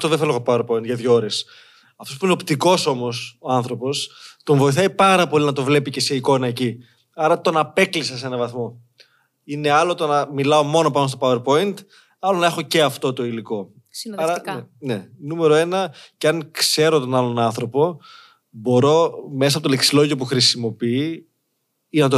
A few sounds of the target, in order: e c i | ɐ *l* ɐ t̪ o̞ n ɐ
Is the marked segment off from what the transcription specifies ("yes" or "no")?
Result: yes